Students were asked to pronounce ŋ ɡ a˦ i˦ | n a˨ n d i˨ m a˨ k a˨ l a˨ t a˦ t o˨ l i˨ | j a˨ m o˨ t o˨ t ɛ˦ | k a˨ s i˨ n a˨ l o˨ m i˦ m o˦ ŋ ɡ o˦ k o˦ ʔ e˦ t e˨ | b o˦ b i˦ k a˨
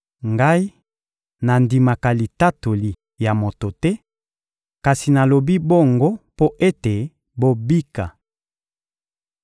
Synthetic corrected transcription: ŋ ɡ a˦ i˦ | n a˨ n d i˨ m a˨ k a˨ l i˨ t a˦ t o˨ l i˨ | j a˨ m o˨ t o˨ t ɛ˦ | k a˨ s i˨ n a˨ l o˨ b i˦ b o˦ ŋ ɡ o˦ p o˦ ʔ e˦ t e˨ | b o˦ b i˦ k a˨